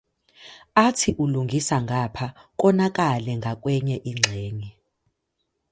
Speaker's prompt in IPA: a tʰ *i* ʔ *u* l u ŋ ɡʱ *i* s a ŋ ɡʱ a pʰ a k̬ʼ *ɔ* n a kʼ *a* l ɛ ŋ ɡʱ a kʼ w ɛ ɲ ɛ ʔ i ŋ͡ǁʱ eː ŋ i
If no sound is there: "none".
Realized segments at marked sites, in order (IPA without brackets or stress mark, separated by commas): i, u, i, ɔ, a